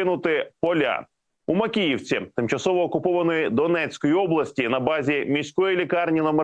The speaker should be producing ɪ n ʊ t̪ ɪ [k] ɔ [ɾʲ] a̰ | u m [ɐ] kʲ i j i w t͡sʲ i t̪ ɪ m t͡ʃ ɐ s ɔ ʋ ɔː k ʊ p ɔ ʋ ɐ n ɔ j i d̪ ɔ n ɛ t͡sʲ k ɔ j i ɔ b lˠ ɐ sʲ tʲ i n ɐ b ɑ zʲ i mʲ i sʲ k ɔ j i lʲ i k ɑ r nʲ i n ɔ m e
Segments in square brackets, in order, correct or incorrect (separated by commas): incorrect, incorrect, correct